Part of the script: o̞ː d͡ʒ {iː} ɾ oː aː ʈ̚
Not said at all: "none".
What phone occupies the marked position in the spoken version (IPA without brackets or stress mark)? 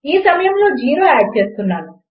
iː